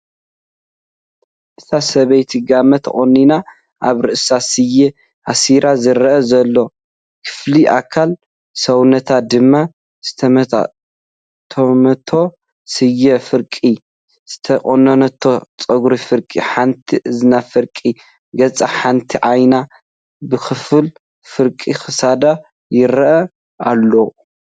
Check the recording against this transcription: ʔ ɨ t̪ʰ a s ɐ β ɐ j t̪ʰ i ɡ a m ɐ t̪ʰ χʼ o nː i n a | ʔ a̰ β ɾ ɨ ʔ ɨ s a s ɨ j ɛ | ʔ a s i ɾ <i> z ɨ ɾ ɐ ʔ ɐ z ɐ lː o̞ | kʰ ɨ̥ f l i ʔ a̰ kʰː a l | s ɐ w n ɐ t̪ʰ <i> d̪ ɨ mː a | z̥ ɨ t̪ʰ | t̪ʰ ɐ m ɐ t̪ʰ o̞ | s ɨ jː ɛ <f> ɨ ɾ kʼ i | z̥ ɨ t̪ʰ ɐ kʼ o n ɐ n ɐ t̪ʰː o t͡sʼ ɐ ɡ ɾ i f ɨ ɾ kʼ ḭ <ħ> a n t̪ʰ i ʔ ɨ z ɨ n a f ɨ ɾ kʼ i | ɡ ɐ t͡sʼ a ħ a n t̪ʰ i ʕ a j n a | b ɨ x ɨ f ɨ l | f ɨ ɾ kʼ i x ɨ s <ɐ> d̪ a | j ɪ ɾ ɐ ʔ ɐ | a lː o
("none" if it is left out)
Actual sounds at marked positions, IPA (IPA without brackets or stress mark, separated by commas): a, a, f, ħ, a